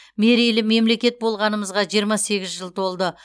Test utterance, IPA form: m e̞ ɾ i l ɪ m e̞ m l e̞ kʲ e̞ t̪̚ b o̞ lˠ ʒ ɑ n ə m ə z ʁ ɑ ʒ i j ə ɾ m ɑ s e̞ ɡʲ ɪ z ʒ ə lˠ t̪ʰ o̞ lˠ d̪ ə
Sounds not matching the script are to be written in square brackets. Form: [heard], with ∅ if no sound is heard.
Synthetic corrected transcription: m e̞ ɾ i l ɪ m e̞ m l e̞ kʲ e̞ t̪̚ b o̞ lˠ [ʁ] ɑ n ə m ə z ʁ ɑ ʒ i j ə ɾ m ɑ s e̞ ɡʲ ɪ z ʒ ə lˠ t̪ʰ o̞ lˠ d̪ ə